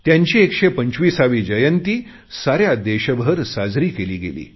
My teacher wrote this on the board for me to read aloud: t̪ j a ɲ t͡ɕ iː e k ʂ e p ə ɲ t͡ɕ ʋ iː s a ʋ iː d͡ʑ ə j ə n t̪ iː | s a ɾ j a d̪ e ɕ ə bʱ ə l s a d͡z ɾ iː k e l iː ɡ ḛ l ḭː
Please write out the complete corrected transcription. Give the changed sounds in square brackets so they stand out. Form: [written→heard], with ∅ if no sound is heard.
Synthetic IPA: t̪ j a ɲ t͡ɕ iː e k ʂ e p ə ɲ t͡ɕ ʋ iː s a ʋ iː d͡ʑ ə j ə n t̪ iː | s a ɾ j a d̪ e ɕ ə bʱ ə [l→ɾ] s a d͡z ɾ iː k e l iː ɡ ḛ l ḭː